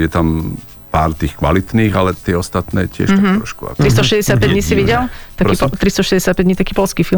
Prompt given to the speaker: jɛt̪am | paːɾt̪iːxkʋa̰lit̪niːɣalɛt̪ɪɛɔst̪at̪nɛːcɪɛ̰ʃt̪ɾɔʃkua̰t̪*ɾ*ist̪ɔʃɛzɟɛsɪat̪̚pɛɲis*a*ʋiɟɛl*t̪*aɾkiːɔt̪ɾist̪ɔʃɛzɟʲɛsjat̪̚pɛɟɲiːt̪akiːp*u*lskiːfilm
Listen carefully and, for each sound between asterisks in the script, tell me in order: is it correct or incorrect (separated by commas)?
correct, incorrect, correct, incorrect